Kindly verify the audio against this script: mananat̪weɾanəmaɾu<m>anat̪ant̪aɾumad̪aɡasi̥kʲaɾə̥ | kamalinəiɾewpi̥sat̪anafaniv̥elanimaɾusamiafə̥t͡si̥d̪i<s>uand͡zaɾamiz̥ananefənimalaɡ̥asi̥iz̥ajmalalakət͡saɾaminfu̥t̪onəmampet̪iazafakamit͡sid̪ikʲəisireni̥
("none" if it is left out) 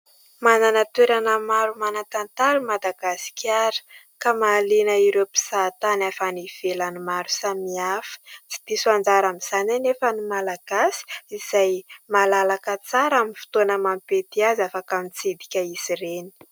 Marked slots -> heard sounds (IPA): m, s

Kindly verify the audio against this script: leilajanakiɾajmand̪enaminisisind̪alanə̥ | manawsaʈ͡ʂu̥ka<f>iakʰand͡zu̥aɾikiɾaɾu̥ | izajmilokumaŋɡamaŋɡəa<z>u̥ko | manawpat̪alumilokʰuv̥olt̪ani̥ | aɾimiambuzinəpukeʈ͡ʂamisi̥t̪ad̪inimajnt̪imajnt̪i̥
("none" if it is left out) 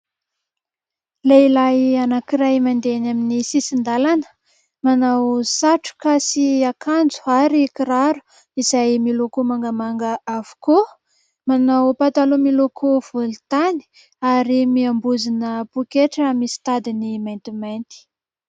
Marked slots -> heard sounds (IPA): s, v

